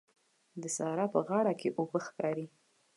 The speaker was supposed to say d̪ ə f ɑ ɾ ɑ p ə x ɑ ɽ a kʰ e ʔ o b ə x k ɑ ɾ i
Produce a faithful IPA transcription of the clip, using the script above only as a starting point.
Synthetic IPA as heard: d̪ ə s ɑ ɾ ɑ p ə ɣ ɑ ɽ a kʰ e ʔ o b ə x k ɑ ɾ i